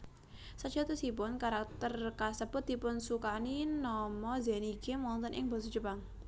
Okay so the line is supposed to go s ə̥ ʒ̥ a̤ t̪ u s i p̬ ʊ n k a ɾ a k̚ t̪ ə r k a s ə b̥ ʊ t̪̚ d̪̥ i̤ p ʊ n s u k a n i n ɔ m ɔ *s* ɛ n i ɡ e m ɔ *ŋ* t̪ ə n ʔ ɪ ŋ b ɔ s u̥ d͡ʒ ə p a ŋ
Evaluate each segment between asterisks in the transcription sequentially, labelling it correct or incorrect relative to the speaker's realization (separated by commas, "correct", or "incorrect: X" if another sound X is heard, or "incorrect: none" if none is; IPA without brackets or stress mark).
incorrect: z, incorrect: n